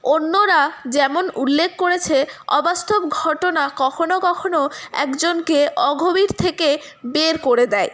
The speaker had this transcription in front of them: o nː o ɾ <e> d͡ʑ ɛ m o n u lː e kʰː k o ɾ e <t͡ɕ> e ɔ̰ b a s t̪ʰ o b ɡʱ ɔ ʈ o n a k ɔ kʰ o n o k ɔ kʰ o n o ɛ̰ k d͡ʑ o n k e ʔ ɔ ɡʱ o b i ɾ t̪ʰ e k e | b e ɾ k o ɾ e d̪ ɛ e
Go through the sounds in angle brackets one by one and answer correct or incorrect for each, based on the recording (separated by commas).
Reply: incorrect, incorrect